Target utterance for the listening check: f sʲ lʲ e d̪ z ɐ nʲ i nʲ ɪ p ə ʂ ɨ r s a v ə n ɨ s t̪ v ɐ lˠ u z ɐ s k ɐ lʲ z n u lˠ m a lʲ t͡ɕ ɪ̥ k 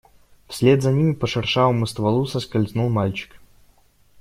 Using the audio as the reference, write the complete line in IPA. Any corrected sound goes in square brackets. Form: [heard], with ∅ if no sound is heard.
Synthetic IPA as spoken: f sʲ lʲ e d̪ z ɐ nʲ i [mʲ] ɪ p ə ʂ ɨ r [ʂ] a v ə [m] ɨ s t̪ v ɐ lˠ u [s] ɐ s k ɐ lʲ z n u lˠ m a lʲ t͡ɕ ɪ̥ k